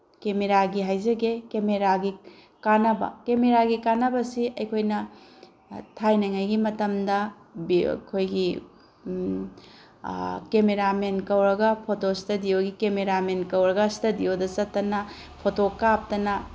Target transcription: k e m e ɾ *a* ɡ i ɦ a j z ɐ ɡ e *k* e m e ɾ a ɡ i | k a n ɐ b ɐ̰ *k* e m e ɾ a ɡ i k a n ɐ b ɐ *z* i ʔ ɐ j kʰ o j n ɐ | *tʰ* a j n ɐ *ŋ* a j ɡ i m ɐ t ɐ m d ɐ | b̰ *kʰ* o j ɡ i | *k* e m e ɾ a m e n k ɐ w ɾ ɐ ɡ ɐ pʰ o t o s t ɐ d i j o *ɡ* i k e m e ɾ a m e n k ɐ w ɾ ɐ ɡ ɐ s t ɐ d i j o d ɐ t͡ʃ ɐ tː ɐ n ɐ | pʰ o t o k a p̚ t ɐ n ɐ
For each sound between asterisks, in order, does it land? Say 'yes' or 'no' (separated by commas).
yes, yes, yes, no, yes, yes, yes, yes, yes